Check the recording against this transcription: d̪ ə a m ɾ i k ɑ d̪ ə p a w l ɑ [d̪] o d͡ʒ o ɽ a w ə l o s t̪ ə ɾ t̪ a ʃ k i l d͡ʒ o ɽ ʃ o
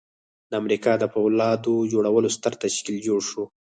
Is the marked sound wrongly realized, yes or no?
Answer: no